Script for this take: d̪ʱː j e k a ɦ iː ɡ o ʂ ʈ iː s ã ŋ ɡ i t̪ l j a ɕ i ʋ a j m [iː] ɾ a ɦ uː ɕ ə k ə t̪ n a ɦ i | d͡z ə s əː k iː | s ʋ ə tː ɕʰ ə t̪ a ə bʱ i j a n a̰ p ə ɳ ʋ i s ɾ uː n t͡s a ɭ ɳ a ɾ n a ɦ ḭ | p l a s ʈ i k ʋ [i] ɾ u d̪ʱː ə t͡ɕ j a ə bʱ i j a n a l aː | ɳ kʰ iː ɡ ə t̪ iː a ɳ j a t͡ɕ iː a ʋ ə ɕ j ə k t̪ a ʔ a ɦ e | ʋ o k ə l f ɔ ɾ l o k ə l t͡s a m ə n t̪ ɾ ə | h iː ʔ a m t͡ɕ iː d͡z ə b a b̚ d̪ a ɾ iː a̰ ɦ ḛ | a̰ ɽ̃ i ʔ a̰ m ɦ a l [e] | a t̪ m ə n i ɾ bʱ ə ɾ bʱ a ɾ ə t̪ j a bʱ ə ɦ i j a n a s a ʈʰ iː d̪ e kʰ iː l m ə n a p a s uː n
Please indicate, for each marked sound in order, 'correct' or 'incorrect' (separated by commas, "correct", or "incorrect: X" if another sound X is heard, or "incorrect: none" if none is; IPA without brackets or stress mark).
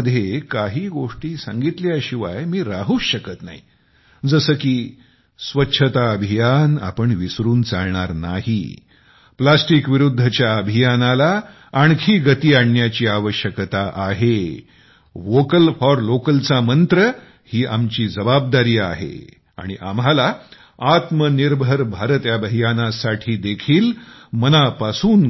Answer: correct, correct, incorrect: a